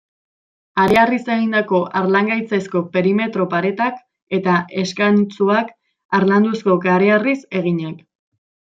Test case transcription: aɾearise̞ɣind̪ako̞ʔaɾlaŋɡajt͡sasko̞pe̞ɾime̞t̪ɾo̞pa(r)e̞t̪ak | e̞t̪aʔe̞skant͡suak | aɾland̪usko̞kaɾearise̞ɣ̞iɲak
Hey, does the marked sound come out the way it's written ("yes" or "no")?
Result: no